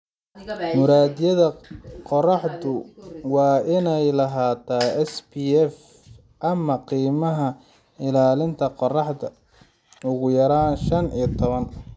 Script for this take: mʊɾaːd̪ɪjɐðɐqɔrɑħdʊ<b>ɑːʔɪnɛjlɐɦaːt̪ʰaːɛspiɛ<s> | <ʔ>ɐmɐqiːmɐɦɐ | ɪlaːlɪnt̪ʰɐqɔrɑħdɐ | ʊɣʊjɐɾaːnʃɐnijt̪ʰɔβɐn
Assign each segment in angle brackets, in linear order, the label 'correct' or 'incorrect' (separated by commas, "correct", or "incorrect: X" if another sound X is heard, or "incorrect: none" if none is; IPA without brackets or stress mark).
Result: incorrect: w, incorrect: f, correct